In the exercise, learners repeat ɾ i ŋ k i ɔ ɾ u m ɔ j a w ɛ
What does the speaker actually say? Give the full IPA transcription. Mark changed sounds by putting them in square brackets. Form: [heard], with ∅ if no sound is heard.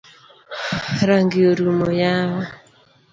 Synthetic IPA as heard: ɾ [a] ŋ [ɡ] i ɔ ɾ u m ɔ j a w [a]